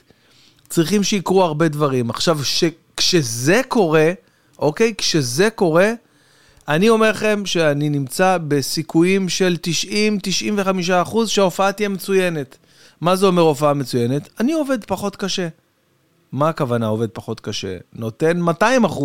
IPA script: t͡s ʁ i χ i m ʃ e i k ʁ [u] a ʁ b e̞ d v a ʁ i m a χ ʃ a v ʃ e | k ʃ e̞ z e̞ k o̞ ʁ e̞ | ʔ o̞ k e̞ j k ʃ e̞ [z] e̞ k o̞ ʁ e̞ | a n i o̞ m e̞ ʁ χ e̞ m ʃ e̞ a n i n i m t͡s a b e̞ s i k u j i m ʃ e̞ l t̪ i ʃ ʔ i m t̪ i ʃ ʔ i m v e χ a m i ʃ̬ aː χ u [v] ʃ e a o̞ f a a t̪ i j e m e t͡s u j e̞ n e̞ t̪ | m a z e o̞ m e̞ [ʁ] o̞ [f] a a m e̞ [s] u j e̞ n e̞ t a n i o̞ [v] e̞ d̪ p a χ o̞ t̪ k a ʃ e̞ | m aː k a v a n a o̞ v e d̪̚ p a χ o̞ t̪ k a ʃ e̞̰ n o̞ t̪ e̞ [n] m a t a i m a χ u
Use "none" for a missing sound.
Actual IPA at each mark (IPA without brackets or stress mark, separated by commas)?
u, z, z, ʁ, f, t͡s, v, n